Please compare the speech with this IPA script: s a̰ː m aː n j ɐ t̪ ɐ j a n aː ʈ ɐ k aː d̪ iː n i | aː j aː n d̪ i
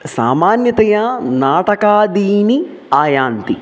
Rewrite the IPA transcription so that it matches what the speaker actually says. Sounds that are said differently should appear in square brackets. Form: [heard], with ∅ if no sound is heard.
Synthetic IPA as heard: s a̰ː m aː n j ɐ t̪ ɐ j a n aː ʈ ɐ k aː d̪ iː n i | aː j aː n [t̪] i